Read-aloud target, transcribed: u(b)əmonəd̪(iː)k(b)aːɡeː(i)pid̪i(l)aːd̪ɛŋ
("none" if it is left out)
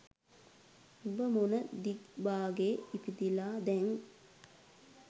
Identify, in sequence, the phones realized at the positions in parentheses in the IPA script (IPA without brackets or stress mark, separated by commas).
b, i, b, i, l